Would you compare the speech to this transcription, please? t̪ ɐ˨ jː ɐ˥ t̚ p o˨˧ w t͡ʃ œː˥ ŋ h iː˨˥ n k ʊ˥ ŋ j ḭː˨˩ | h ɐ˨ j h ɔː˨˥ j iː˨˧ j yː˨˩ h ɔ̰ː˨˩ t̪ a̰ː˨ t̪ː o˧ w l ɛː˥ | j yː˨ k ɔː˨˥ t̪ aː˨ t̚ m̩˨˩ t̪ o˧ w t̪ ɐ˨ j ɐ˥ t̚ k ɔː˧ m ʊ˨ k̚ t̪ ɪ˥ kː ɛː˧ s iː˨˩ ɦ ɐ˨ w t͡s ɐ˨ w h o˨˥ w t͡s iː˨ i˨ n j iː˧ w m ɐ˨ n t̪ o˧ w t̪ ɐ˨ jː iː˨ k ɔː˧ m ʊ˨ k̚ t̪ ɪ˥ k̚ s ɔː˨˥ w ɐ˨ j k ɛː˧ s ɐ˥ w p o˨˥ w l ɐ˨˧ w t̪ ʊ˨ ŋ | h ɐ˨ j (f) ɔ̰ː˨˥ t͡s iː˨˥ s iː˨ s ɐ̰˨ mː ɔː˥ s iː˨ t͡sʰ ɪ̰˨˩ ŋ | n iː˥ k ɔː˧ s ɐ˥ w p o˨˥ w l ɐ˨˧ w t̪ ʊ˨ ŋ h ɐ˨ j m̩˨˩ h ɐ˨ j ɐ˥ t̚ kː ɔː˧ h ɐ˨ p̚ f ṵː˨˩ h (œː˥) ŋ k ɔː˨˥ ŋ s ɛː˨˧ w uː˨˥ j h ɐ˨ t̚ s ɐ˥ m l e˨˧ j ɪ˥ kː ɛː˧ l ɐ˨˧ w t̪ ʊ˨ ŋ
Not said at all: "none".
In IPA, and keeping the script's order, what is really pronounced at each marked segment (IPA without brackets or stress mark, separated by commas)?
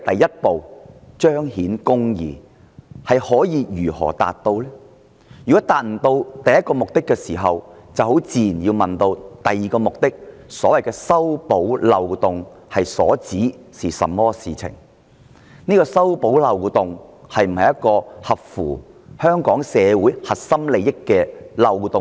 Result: s, œː˥